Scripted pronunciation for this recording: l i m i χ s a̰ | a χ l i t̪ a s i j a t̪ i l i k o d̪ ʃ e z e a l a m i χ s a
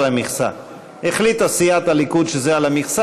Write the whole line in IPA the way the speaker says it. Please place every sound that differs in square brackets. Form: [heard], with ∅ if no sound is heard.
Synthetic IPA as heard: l [a] m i χ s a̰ | [e] χ l i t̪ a s i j a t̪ [a] l i k [u] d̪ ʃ e z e a l a m i χ s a